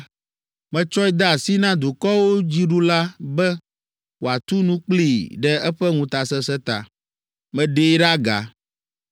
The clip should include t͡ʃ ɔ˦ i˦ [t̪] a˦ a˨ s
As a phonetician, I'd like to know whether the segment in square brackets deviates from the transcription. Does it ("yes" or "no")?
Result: yes